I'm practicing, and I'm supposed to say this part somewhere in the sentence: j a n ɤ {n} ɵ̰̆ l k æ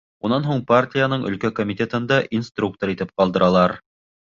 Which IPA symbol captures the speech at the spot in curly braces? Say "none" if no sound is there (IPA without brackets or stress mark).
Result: ɴ